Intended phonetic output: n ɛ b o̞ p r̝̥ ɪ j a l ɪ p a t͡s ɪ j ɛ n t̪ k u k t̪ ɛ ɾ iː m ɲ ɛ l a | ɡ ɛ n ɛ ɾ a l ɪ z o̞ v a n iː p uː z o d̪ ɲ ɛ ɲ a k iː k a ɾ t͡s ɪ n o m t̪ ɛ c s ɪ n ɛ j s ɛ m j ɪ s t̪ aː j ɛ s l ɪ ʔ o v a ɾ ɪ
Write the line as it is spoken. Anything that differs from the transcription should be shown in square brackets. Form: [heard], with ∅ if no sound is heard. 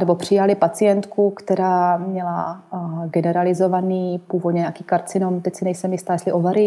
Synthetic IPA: n ɛ b o̞ p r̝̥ ɪ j a l ɪ p a t͡s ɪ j ɛ n t̪ k u k t̪ ɛ ɾ [aː] m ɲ ɛ l a | ɡ ɛ n ɛ ɾ a l ɪ z o̞ v a n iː p uː [v] o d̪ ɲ ɛ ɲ a k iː k a ɾ t͡s ɪ n o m t̪ ɛ c s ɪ n ɛ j s ɛ m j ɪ s t̪ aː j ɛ s l ɪ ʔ o v a ɾ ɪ